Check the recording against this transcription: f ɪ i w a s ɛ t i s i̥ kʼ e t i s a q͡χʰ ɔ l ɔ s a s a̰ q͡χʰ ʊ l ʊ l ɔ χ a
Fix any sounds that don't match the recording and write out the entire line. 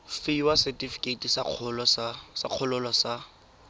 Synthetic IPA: f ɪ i w a s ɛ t i f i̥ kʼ e t i s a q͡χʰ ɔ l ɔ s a s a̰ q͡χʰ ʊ l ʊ l ɔ s a